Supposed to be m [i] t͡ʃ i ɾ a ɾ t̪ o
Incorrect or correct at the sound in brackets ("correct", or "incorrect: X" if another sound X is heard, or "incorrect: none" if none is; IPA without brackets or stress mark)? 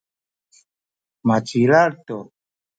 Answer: incorrect: a